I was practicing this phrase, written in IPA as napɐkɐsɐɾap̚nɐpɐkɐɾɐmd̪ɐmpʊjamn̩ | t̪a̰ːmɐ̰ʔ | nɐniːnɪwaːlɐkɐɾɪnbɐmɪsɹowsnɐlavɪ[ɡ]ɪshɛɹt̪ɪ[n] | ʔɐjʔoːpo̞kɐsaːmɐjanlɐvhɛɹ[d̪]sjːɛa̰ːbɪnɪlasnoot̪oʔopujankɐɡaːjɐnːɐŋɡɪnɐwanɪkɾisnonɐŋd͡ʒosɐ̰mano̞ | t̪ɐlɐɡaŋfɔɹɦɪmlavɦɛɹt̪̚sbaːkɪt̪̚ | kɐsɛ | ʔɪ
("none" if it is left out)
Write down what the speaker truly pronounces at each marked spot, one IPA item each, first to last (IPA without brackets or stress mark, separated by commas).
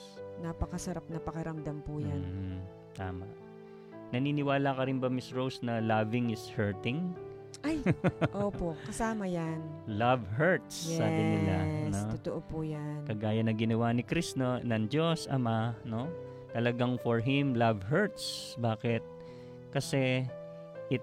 ŋ, ŋ, t̪